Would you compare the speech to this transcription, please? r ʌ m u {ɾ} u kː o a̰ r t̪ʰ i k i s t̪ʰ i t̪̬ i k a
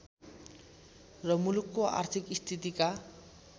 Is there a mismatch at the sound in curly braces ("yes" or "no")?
yes